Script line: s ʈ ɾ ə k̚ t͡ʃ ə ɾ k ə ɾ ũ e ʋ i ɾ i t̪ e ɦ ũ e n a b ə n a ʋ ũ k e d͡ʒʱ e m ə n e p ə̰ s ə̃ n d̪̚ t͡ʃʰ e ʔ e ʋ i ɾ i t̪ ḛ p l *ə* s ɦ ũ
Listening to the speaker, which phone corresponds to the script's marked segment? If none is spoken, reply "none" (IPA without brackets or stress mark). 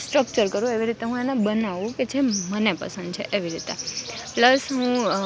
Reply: ə